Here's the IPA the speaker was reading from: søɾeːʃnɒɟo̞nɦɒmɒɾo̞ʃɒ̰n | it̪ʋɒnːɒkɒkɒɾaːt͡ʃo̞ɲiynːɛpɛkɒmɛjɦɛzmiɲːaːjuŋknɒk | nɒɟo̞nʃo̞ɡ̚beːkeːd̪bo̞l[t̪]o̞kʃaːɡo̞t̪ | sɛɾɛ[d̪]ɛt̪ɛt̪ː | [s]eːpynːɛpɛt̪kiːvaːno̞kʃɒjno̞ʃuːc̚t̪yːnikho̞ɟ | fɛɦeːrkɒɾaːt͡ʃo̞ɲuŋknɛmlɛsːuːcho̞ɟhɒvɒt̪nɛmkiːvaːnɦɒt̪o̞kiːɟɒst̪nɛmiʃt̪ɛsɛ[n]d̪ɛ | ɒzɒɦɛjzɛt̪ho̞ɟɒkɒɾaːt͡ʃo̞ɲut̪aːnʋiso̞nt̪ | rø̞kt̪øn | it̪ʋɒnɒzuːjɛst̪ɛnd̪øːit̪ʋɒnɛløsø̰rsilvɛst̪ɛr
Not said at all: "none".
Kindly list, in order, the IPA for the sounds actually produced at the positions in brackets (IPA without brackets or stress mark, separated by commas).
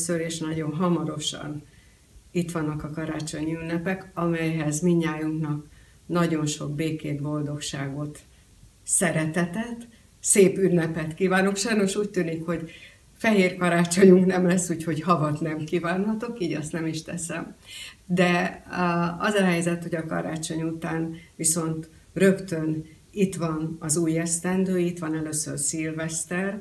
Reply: d̪, t̪, s, m